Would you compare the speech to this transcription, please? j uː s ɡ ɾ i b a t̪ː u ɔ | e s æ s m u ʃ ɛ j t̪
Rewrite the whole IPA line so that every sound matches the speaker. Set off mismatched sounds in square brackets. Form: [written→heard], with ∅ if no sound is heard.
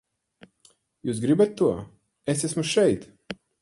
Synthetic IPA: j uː s ɡ ɾ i b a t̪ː u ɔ | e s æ s m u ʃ ɛ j t̪